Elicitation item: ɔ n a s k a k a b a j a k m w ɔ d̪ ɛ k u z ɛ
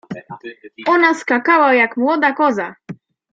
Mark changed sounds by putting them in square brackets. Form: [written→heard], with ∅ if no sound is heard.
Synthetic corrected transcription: ɔ n a s k a k a [b→w] a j a k m w ɔ d̪ [ɛ→a] k [u→ɔ] z [ɛ→a]